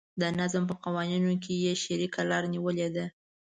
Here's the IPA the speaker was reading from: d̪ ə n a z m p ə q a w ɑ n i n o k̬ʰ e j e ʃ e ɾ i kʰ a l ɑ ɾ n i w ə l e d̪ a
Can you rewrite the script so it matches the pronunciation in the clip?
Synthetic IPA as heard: d̪ ə n a z m p ə q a w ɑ n i n o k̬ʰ e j e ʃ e ɾ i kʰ a l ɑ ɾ n i w ə l e d̪ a